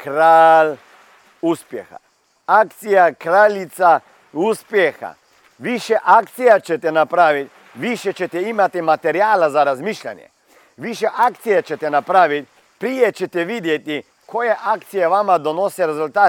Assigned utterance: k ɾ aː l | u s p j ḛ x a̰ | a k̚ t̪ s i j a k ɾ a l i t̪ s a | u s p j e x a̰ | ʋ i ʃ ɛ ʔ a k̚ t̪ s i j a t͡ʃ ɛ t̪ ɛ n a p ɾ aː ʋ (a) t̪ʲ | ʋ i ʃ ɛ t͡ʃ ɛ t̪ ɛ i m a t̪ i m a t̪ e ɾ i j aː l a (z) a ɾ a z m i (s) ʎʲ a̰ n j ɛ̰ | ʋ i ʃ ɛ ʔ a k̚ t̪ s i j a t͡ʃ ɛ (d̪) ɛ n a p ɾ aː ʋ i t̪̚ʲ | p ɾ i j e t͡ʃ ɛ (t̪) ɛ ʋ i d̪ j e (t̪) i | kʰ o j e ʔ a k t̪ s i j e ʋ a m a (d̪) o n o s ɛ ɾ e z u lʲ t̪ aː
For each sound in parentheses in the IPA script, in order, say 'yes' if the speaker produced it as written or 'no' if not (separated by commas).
no, yes, no, no, yes, yes, yes